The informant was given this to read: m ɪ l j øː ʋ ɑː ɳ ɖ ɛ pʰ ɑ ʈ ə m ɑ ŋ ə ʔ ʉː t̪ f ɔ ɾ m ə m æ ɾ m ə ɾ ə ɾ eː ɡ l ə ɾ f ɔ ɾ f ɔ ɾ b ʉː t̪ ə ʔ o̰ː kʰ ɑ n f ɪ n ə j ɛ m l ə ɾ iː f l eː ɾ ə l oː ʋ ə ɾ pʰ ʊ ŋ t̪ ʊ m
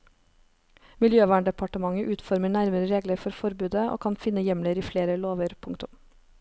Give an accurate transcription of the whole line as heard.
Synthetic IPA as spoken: m ɪ l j øː ʋ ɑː ɳ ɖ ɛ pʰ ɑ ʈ ə m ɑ ŋ ə ʔ ʉː t̪ f ɔ ɾ m ə ɳ æ ɾ m ə ɾ ə ɾ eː ɡ l ə ɾ f ɔ ɾ f ɔ ɾ b ʉː d̪ ə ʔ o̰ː kʰ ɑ n f ɪ n ə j ɛ m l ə ɾ iː f l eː ɾ ə l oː ʋ ə ɾ pʰ ʊ ŋ t̪ ʊ m